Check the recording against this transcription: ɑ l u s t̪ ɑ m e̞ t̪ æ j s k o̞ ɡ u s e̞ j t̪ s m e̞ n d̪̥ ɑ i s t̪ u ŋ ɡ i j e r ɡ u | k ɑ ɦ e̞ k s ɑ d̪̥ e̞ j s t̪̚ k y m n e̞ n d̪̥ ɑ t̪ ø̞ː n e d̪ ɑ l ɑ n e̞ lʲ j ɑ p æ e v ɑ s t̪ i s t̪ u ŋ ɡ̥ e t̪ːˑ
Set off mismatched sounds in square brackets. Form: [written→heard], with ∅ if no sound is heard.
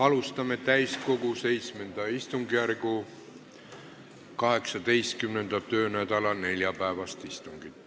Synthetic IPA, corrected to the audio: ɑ l u s t̪ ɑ m e̞ t̪ æ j s k o̞ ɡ u s e̞ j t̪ s m e̞ n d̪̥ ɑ i s t̪ u ŋ ɡ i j [e→æ] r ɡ u | k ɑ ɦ e̞ k s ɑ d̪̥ e̞ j s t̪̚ k y m n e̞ n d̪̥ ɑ t̪ ø̞ː n [e→æ] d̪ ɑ l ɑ n e̞ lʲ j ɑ p æ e v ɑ s t̪ i s t̪ u ŋ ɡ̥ [e→i] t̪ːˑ